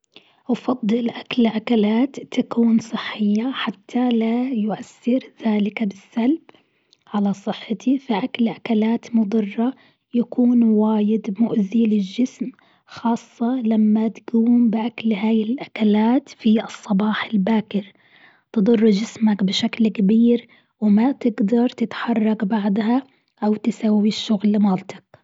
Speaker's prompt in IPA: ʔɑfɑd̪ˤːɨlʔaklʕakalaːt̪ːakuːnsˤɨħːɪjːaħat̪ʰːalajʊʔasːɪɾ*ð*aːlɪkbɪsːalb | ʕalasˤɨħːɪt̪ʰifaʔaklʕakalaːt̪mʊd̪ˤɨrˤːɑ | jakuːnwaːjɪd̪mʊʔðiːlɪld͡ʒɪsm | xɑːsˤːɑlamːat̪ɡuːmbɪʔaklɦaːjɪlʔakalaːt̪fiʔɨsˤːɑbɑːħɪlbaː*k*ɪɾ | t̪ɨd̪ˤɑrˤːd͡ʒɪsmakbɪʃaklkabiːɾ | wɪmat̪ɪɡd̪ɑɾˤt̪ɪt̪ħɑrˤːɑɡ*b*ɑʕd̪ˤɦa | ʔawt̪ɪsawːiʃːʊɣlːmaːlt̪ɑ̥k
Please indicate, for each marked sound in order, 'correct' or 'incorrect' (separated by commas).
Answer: correct, correct, correct